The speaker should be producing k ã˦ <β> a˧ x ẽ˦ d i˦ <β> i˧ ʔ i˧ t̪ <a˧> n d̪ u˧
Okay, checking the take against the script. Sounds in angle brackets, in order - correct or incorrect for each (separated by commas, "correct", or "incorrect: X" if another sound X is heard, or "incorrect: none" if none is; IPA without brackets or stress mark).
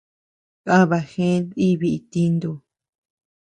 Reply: correct, correct, incorrect: i˧